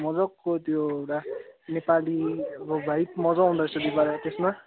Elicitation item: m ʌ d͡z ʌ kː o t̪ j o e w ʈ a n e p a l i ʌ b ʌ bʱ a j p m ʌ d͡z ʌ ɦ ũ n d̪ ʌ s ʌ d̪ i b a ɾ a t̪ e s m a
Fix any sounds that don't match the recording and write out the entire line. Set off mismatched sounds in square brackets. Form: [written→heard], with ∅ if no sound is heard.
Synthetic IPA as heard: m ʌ d͡z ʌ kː o t̪ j o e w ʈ a n e p a l i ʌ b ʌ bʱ a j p m ʌ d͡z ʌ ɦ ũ n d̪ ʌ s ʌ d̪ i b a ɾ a t̪ e s m a